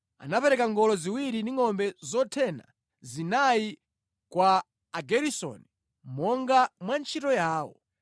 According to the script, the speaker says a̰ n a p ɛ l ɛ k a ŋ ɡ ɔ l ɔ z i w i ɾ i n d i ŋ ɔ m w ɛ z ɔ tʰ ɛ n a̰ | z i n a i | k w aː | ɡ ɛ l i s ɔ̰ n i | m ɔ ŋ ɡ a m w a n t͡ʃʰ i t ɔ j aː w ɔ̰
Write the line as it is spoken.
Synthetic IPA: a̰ n a p ɛ ɾ ɛ k a ŋ ɡ ɔ l ɔ z i w i ɾ i n d i ŋ ɔ m b ɛ z ɔ tʰ ɛ n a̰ | z i n a i | k w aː | ɡ ɛ ɾ i s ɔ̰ n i | m ɔ ŋ ɡ a m w a n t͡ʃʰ i t ɔ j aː w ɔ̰

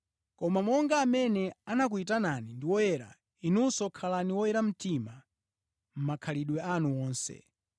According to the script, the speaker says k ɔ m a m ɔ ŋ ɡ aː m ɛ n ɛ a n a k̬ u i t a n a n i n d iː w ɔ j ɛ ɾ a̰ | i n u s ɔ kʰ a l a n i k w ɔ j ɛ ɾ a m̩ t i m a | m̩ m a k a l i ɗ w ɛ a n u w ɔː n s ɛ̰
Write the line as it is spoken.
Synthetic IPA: k ɔ m a m ɔ ŋ ɡ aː m ɛ n ɛ a n a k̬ u i t a n a n i n d i w ɔ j ɛ ɾ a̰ | i n u s ɔ kʰ a l a n i w ɔ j ɛ ɾ a m̩ t i m a | m̩ m a kʰ a l i ɗ w ɛ a n u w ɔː n s ɛ̰

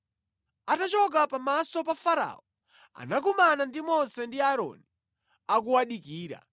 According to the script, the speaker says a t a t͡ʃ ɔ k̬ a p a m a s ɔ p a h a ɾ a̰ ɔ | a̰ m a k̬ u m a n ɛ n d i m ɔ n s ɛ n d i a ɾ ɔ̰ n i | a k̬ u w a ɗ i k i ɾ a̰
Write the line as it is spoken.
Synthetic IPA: a t a t͡ʃ ɔ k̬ a p a m a s ɔ p a f a ɾ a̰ ɔ | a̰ n a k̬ u m a n a n d i m ɔ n s ɛ n d i a ɾ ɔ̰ n i | a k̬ u w a ɗ i k iː ɾ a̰

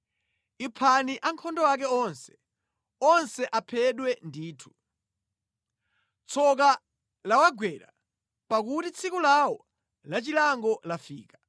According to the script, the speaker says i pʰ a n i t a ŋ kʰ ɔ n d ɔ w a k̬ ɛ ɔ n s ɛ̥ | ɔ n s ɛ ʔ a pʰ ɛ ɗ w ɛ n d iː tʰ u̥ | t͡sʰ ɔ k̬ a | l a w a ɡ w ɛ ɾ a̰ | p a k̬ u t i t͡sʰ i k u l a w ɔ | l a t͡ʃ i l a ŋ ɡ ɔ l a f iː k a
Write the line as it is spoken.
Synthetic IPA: i pʰ a n i ʔ a ŋ kʰ ɔ n d ɔ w a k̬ ɛ ɔ n s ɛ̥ | ɔ n s ɛ ʔ a pʰ ɛ ɗ w ɛ n d iː tʰ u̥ | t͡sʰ ɔ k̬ a | l a w a ɡ w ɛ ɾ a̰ | p a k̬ u t i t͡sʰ i k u l a w ɔ | l a t͡ʃ i l a ŋ ɡ ɔ l a f iː k a

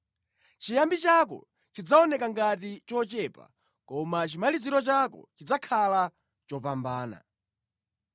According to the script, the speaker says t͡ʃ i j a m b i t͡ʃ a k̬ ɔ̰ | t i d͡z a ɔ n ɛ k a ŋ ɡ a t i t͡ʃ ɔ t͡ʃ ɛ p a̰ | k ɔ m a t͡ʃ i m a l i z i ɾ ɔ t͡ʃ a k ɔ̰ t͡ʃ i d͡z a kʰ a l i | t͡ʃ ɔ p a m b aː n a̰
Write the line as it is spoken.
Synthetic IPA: t͡ʃ i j a m b i t͡ʃ a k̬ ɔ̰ | t͡ʃ i d͡z a ɔ n ɛ k a ŋ ɡ a t i t͡ʃ ɔ t͡ʃ ɛ p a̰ | k ɔ m a t͡ʃ i m a l i z i ɾ ɔ t͡ʃ a k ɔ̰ t͡ʃ i d͡z a kʰ a l a | t͡ʃ ɔ p a m b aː n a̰

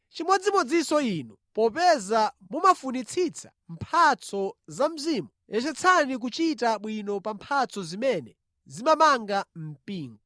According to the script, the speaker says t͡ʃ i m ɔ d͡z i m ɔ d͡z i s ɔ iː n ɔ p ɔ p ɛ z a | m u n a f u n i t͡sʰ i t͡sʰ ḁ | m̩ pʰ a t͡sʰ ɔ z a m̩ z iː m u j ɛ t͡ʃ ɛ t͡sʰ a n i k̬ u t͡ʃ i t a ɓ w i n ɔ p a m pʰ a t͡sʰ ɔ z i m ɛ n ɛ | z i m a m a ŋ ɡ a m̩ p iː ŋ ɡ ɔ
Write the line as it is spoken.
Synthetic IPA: t͡ʃ i m ɔ d͡z i m ɔ d͡z i s ɔ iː n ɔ p ɔ p ɛ z a | m u m a f u n i t͡sʰ i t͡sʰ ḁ | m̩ pʰ a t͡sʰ ɔ z a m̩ z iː m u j ɛ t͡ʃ ɛ t͡sʰ a n i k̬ u t͡ʃ i t a ɓ w i n ɔ p a m pʰ a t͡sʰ ɔ z i m ɛ n ɛ | z i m a m a ŋ ɡ a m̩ p iː ŋ ɡ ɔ

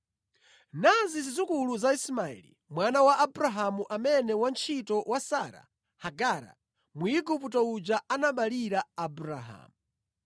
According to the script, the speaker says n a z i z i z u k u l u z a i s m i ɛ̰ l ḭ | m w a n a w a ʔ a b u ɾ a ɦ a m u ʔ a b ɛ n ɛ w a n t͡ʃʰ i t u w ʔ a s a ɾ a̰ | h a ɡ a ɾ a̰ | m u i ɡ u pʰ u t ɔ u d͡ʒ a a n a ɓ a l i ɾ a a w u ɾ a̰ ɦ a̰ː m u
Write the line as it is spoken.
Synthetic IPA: n a z i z i z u k u l u z a i s m a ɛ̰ l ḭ | m w a n a w a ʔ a b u ɾ a ɦ a m u ʔ a m ɛ n ɛ w a n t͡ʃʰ i t ɔ w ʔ a s a ɾ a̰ | h a ɡ a ɾ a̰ | m u i ɡ u p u t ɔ u d͡ʒ a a n a ɓ a l i ɾ a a b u ɾ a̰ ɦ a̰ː m u

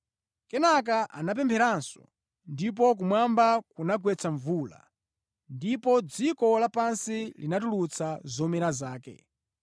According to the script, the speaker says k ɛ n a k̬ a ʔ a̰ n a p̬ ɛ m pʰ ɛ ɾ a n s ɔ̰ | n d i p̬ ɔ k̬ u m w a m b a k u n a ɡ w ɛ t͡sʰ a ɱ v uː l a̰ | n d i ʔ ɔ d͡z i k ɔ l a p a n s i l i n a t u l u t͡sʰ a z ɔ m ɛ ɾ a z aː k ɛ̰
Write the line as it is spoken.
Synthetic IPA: k ɛ n a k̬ a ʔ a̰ n a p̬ ɛ m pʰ ɛ ɾ a n s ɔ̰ | n d i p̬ ɔ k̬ u m w a m b a k u n a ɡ w ɛ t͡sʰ a ɱ v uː l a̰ | n d i p ɔ d͡z i k ɔ l a p a n s i l i n a t u l u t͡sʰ a z ɔ m ɛ ɾ a z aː k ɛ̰

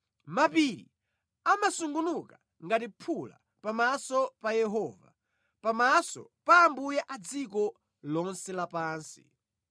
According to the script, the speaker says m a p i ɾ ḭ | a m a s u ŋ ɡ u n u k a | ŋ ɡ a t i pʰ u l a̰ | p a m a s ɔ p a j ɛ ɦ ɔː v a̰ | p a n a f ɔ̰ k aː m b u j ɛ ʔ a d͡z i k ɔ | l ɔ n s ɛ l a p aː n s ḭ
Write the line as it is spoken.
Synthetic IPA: m a p i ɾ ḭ | a m a s u ŋ ɡ u n u k a | ŋ ɡ a t i pʰ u l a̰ | p a m a s ɔ p a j ɛ ɦ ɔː v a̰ | p a m a s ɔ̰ p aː m b u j ɛ ʔ a d͡z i k ɔ | l ɔ n s ɛ l a p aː n s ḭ

